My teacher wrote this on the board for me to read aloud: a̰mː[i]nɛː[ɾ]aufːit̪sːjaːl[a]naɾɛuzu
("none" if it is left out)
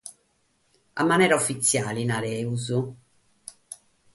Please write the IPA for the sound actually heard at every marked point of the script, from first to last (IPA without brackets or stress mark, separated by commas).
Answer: a, ɾ, i